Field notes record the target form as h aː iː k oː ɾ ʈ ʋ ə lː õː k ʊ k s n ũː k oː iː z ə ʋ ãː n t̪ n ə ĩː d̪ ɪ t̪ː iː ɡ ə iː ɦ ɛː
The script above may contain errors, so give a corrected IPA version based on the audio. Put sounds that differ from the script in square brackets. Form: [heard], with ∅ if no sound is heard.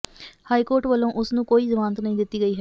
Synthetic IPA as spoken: h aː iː k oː ɾ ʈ ʋ ə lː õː [ʔ] ʊ [∅] s n ũː k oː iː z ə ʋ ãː n t̪ n ə ĩː d̪ ɪ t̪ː iː ɡ ə iː ɦ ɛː

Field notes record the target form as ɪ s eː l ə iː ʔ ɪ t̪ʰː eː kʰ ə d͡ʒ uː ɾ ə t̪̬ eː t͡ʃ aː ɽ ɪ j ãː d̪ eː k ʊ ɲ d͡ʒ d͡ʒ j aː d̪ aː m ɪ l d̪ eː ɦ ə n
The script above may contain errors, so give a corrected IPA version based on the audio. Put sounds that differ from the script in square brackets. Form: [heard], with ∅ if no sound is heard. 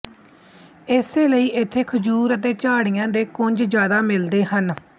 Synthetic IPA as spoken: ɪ s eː l ə iː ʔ ɪ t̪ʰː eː kʰ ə d͡ʒ uː ɾ ə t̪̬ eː t͡ʃ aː ɽ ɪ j ãː d̪ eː k ʊ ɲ d͡ʒ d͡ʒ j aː d̪ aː m ɪ l d̪ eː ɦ ə n

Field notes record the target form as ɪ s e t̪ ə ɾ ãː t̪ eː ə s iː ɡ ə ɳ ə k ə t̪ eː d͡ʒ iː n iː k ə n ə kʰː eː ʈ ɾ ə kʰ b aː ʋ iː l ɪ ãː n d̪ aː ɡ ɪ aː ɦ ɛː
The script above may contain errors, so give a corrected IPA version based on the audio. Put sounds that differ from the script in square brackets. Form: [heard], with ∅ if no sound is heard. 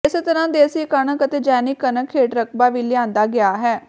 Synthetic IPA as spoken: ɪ s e t̪ ə ɾ ãː [d̪] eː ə s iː [k] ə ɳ ə k ə t̪ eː d͡ʒ [ɛː] n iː k ə n ə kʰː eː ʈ ɾ ə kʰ b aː ʋ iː l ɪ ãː n d̪ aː ɡ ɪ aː ɦ ɛː

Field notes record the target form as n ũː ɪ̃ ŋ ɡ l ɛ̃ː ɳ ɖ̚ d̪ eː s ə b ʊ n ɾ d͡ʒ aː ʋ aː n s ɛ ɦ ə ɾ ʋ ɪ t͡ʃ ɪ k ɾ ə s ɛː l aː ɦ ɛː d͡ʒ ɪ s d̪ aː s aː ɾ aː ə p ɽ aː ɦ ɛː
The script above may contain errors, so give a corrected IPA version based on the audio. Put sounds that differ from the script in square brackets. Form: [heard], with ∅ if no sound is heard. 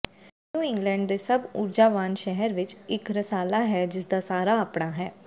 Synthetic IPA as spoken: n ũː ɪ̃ ŋ ɡ l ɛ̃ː ɳ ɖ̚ d̪ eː s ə b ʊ [∅] ɾ d͡ʒ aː ʋ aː n [ʃ] ɛ ɦ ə ɾ ʋ ɪ t͡ʃ ɪ k ɾ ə s [aː] l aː ɦ ɛː d͡ʒ ɪ s d̪ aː s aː ɾ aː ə p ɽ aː ɦ ɛː

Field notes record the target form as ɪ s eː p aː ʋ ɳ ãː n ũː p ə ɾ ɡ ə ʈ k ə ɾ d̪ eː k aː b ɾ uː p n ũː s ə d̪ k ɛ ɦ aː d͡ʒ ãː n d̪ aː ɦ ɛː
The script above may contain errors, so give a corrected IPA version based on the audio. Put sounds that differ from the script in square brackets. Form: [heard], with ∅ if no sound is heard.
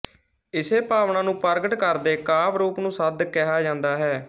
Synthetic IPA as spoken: ɪ s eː p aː ʋ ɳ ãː n ũː p ə ɾ ɡ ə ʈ k ə ɾ d̪ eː k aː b ɾ uː p n ũː s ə d̪ k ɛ ɦ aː d͡ʒ ãː n d̪ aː ɦ ɛː

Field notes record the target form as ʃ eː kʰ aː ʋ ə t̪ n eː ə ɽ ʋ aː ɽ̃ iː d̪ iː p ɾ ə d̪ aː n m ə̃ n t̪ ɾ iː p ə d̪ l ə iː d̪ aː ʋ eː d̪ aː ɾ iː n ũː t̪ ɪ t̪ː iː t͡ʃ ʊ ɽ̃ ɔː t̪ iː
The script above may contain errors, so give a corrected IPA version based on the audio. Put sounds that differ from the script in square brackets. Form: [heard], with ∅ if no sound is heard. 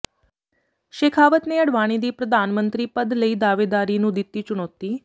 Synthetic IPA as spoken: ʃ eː kʰ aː ʋ ə t̪ n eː ə ɽ ʋ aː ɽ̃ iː d̪ iː p ɾ ə d̪ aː n m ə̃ n t̪ ɾ iː p ə d̪ l ə iː d̪ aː ʋ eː d̪ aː ɾ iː n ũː [d̪] ɪ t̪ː iː t͡ʃ ʊ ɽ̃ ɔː t̪ iː

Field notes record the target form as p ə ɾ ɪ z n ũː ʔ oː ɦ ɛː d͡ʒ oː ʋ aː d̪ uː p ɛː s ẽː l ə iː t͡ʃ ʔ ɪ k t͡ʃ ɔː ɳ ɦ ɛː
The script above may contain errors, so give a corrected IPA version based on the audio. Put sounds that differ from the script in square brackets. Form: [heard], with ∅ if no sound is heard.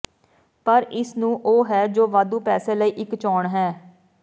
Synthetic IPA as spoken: p ə ɾ ɪ [s] n ũː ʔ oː ɦ ɛː d͡ʒ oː ʋ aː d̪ uː p ɛː s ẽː l ə iː [∅] ʔ ɪ k t͡ʃ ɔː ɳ ɦ ɛː

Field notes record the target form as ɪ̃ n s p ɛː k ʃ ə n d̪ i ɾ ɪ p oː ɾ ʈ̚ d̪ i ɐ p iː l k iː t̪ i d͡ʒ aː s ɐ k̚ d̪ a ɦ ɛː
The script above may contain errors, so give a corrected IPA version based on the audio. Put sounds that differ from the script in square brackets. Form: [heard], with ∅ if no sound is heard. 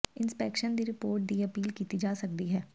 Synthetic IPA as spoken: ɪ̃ n s p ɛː k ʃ ə n d̪ i ɾ ɪ p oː ɾ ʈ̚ d̪ i ɐ p iː l k iː t̪ i d͡ʒ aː s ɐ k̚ d̪ [i] ɦ ɛː

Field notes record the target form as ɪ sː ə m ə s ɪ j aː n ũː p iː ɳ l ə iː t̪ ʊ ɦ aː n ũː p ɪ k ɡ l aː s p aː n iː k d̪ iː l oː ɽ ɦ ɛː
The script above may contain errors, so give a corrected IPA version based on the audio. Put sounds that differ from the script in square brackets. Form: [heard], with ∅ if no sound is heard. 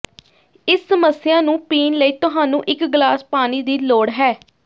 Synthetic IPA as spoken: ɪ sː ə m ə s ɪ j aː n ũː p iː [n] l ə iː t̪ ʊ ɦ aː n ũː [ʔ] ɪ k ɡ l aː s p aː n iː [∅] d̪ iː l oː ɽ ɦ ɛː

